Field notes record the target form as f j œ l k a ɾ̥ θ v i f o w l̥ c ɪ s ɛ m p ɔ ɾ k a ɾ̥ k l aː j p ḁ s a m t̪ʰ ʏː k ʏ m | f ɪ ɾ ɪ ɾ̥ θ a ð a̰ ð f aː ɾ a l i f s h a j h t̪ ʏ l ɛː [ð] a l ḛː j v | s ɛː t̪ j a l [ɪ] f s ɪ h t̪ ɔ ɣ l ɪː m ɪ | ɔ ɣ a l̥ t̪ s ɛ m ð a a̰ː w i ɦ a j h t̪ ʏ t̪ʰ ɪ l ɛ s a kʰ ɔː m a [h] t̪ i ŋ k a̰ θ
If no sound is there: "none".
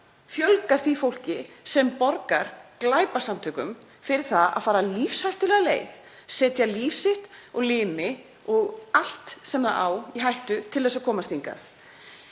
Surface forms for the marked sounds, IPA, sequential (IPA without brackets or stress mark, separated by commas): ɣ, i, s